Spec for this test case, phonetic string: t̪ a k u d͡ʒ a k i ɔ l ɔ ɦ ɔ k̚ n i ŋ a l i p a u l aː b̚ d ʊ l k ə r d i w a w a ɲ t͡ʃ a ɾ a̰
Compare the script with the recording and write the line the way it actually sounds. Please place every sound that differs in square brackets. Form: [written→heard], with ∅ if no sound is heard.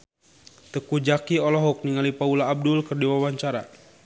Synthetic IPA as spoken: t̪ [a→ə] k u d͡ʒ a k i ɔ l ɔ ɦ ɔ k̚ n i ŋ a l i p a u l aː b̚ d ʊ l k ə r d i w a w a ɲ t͡ʃ a ɾ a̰

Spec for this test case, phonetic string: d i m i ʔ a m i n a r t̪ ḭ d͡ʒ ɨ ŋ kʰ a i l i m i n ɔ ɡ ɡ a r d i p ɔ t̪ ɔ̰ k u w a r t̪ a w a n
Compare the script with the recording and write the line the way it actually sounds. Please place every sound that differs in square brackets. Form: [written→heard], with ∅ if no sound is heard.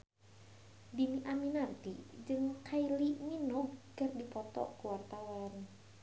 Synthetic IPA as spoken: d i m i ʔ a m i n a r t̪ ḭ d͡ʒ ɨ ŋ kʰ a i l i m i n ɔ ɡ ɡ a r d i p ɔ t̪ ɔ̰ k u w a r t̪ a w a n

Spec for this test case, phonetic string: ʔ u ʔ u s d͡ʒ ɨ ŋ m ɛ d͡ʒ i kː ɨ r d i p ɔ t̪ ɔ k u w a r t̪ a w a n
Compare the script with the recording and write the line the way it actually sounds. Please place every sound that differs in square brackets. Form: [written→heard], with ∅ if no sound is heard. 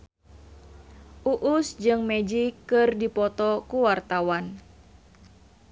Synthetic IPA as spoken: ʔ u ʔ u s d͡ʒ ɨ ŋ m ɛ d͡ʒ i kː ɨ r d i p ɔ t̪ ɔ k u w a r t̪ a w a n

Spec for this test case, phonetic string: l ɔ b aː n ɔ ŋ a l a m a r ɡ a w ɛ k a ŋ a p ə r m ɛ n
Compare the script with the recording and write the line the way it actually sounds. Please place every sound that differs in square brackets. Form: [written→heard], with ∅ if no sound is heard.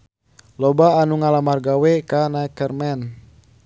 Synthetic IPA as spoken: l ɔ b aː n [ɔ→u] ŋ a l a m a r ɡ a w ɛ k a [ŋ→n] a [p→k] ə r m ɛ n

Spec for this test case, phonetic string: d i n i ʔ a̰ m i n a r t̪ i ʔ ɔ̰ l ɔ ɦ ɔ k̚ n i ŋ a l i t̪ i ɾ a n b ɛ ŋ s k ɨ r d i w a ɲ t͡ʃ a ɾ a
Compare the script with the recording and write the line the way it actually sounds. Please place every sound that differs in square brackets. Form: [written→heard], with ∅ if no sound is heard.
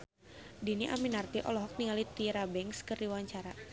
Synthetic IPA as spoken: d i n i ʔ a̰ m i n a r t̪ i ʔ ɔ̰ l ɔ ɦ ɔ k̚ n i ŋ a l i t̪ i ɾ a [n→∅] b ɛ ŋ s k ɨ r d i w a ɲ t͡ʃ a ɾ a

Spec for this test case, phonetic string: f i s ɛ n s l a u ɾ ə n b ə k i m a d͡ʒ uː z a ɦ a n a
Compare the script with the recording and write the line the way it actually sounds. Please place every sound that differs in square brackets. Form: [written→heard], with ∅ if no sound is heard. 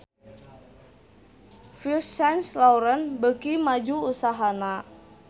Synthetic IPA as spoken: f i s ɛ n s l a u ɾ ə n b ə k i m a d͡ʒ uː [z→s] a ɦ a n a

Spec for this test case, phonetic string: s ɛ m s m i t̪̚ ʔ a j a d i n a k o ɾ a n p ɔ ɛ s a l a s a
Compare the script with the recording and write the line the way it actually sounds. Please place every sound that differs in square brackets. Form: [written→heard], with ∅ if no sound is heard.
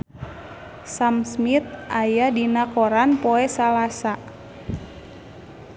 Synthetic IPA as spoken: s [ɛ→a] m s m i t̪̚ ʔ a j a d i n a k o ɾ a n p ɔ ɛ s a l a s a

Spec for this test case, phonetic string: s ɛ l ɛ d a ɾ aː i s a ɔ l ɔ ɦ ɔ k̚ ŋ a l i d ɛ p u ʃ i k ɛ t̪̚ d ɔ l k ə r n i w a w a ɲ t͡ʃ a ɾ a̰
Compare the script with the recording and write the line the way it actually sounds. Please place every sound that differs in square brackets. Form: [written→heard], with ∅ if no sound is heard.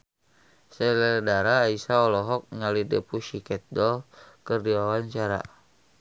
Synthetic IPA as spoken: s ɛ l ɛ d a ɾ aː i s a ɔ l ɔ ɦ ɔ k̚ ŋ a l i d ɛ p u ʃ i k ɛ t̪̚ d ɔ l k ə r [n→d] i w a w a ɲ t͡ʃ a ɾ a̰

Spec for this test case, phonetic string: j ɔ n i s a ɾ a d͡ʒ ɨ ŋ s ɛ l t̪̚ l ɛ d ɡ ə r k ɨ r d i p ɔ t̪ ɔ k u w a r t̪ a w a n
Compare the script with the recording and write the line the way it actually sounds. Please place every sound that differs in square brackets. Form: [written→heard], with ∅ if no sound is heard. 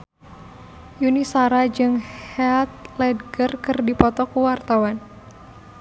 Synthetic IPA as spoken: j [ɔ→u] n i s a ɾ a d͡ʒ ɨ ŋ [s→h] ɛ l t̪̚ l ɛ d ɡ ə r k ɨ r d i p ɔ t̪ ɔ k u w a r t̪ a w a n

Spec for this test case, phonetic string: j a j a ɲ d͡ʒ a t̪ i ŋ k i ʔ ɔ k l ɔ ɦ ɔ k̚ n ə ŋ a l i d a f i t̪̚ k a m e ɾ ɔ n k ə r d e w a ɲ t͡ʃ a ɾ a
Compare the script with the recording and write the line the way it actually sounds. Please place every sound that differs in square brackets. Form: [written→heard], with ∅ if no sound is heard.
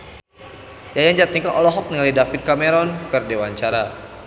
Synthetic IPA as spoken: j a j a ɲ d͡ʒ a t̪ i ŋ k [i→a] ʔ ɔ [k→∅] l ɔ ɦ ɔ k̚ n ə ŋ a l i d a f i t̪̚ k a m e ɾ ɔ n k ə r d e w a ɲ t͡ʃ a ɾ a

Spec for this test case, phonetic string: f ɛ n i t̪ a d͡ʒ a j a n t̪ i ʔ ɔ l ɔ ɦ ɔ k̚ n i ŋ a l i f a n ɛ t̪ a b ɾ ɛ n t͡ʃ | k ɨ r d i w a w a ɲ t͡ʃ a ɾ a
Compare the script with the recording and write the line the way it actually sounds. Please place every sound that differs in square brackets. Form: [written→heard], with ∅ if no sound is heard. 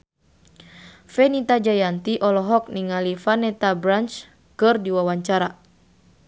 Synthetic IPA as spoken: f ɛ n i t̪ a d͡ʒ a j a n t̪ i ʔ ɔ l ɔ ɦ ɔ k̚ n i ŋ a l i f a n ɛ t̪ a b ɾ [ɛ→a] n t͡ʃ | k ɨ r d i w a w a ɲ t͡ʃ a ɾ a

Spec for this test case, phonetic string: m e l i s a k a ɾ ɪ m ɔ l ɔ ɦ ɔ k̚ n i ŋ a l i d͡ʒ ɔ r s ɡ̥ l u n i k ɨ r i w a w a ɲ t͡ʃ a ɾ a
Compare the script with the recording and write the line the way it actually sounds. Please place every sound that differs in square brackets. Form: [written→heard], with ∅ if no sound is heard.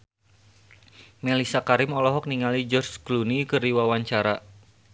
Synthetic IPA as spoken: m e l i s a k a ɾ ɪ m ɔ l ɔ ɦ ɔ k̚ n i ŋ a l i d͡ʒ ɔ r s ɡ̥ l u n i k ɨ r i w a w a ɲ t͡ʃ a ɾ a

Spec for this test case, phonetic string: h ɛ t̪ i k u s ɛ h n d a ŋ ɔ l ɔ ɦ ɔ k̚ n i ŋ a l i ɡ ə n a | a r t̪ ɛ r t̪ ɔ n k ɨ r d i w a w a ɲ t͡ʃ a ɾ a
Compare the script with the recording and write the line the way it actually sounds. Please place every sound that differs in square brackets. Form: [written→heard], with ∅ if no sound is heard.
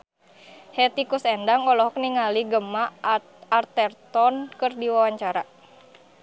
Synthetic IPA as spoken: h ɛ t̪ i k u s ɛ [h→∅] n d a ŋ ɔ l ɔ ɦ ɔ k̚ n i ŋ a l i ɡ ə [n→m] a | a r t̪ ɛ r t̪ ɔ n k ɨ r d i w a w a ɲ t͡ʃ a ɾ a

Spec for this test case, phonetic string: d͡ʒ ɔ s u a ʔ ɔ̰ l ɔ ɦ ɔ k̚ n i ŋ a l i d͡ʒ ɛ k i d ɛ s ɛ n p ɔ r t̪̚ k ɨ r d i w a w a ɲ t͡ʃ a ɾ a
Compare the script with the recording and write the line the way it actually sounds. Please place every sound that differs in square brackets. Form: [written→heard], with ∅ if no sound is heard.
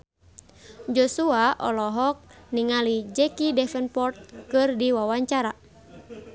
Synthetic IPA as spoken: d͡ʒ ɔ s u a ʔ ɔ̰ l ɔ ɦ ɔ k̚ n i ŋ a l i d͡ʒ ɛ k i d ɛ [s→f] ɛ n p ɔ r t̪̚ k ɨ r d i w a w a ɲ t͡ʃ a ɾ a

